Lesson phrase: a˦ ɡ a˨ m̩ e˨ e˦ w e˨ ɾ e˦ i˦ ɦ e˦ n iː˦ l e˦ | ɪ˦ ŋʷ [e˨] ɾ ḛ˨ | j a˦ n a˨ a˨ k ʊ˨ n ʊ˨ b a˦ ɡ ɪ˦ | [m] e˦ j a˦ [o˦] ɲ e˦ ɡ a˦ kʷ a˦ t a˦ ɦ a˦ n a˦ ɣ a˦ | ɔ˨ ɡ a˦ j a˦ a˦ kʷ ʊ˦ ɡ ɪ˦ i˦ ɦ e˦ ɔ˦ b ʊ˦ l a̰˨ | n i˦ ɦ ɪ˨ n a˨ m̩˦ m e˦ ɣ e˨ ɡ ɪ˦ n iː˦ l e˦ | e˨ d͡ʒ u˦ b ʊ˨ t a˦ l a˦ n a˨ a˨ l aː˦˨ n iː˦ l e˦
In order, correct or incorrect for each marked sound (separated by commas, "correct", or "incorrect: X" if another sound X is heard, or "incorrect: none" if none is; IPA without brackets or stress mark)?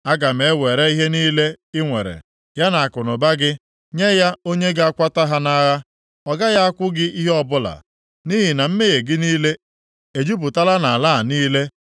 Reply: correct, incorrect: ɲ, correct